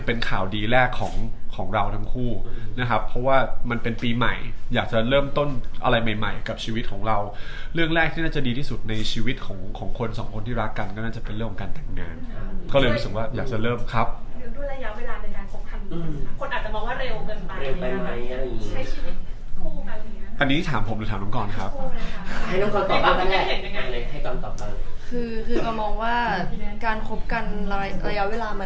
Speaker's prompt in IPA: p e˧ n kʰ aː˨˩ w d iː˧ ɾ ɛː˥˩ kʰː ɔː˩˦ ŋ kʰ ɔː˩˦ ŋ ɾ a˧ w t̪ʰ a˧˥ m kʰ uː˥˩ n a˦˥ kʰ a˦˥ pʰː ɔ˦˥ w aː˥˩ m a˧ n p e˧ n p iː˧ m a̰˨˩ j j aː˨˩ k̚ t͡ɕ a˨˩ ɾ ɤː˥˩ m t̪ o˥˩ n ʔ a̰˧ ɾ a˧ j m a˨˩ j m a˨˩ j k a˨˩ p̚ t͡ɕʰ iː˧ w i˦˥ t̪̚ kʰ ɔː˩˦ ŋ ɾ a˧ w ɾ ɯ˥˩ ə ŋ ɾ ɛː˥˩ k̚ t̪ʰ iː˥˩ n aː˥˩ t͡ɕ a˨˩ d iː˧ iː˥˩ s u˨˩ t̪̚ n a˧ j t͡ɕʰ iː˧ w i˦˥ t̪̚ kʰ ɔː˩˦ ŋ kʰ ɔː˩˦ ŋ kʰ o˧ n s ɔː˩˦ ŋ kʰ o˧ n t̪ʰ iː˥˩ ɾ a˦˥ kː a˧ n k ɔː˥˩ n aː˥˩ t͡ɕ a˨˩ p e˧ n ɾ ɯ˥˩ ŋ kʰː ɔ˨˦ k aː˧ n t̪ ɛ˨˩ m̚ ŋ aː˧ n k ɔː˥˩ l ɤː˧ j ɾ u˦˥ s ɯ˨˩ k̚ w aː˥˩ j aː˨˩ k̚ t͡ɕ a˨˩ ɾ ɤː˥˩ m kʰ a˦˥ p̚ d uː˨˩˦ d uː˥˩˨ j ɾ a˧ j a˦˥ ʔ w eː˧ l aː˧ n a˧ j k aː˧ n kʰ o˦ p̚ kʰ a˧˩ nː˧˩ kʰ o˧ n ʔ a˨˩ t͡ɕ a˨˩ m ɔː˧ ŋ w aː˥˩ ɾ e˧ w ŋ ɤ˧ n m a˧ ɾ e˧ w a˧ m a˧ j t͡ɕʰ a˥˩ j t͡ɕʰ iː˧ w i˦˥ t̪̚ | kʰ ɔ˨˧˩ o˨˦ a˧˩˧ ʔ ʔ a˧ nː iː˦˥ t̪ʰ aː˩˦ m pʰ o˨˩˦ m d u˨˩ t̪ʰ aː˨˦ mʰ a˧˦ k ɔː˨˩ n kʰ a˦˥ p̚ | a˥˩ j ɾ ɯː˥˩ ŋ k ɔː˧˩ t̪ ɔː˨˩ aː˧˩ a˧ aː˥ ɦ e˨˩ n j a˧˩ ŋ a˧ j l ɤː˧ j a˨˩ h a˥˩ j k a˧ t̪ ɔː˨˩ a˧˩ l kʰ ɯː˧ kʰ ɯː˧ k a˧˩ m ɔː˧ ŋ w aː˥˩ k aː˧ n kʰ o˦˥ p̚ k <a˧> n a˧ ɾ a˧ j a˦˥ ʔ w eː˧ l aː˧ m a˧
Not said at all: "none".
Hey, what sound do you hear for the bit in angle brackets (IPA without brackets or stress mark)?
a˧